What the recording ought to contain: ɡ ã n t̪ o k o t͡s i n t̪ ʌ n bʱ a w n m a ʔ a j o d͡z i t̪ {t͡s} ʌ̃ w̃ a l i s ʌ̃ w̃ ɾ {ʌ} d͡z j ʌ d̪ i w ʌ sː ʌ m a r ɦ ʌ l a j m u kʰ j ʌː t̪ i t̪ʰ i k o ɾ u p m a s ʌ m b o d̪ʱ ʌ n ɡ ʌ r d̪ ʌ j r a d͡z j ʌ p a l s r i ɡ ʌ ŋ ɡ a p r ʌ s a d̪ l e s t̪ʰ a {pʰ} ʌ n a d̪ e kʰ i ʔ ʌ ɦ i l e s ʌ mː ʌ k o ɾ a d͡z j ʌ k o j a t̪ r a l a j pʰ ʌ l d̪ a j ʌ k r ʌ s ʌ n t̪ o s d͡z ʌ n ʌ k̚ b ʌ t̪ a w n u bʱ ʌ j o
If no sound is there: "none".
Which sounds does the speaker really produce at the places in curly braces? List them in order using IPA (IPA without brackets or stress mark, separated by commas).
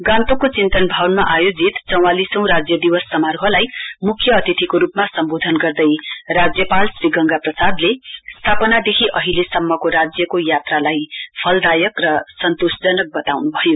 t͡s, a, p